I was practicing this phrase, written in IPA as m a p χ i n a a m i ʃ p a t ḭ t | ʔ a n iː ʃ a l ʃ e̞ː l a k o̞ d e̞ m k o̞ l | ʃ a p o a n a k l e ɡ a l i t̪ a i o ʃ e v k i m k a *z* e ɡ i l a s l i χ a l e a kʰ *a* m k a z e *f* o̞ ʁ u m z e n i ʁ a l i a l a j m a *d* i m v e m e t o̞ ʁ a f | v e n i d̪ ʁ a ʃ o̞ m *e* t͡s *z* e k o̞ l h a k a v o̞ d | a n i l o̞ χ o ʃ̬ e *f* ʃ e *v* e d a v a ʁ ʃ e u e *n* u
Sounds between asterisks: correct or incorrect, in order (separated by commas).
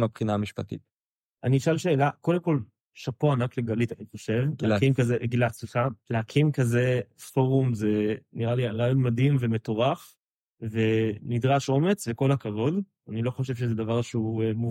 correct, incorrect, correct, correct, correct, incorrect, incorrect, incorrect, incorrect